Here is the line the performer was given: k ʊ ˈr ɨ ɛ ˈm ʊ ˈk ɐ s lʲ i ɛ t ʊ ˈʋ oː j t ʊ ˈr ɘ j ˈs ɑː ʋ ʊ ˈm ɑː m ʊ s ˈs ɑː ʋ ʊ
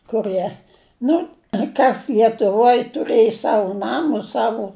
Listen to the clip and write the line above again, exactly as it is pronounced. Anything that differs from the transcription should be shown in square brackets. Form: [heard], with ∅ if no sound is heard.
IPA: k ʊ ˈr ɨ ɛ [ˈn] ʊ ˈk ɐ s lʲ i ɛ t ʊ ˈʋ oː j t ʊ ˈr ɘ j ˈs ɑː ʋ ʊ [ˈn] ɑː m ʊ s ˈs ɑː ʋ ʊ